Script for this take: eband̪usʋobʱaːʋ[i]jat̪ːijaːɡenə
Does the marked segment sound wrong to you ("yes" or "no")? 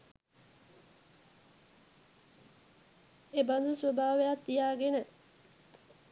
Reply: yes